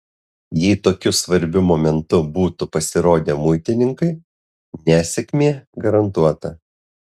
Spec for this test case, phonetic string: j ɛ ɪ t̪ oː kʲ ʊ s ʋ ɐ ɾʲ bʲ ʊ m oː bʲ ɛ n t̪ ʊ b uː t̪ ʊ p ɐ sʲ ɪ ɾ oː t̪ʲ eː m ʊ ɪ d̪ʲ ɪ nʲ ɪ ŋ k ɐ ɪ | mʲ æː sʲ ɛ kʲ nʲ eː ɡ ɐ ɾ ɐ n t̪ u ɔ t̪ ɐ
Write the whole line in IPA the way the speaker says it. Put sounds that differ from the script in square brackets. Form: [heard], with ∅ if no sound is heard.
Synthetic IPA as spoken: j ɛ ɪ t̪ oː kʲ ʊ s ʋ ɐ ɾʲ bʲ ʊ m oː [mʲ] ɛ n t̪ ʊ b uː t̪ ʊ p ɐ sʲ ɪ ɾ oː [d̪ʲ] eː m ʊ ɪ [t̪ʲ] ɪ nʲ ɪ ŋ k ɐ ɪ | [nʲ] æː sʲ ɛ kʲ [mʲ] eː ɡ ɐ ɾ ɐ n t̪ u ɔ t̪ ɐ